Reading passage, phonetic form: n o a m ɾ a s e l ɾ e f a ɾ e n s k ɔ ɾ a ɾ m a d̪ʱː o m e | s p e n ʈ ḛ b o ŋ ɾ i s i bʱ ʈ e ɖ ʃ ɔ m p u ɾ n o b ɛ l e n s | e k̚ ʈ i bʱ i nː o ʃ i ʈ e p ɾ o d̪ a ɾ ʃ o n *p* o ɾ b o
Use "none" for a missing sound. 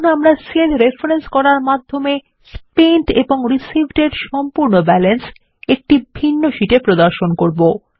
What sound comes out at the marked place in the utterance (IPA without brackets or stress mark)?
k